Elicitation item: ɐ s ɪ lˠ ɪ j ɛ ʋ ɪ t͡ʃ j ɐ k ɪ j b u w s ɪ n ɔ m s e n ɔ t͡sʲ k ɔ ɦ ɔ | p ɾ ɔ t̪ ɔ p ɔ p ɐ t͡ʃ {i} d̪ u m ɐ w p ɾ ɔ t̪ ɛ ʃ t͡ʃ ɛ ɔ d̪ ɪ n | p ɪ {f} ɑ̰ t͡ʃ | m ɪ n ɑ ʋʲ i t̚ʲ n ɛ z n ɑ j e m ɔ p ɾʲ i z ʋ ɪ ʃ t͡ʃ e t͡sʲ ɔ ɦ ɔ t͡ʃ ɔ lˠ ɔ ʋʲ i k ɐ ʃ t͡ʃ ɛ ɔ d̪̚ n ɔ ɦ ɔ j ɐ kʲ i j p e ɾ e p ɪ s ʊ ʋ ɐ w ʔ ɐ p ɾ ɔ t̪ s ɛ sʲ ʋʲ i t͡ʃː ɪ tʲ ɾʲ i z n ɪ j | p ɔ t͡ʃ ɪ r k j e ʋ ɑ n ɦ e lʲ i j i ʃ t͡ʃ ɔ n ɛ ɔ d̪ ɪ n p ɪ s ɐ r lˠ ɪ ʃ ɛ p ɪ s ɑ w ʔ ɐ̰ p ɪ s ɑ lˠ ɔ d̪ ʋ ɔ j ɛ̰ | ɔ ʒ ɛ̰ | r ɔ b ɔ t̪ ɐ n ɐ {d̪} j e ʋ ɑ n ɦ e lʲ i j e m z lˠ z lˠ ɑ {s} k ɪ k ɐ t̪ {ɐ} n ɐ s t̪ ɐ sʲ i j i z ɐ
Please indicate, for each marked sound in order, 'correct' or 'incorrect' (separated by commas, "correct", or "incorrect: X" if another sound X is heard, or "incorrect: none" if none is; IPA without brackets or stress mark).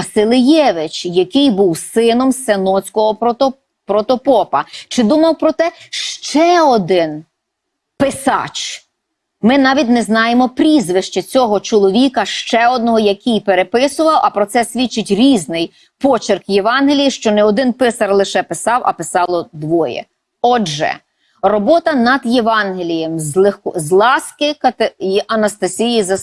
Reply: incorrect: ɪ, incorrect: s, correct, correct, correct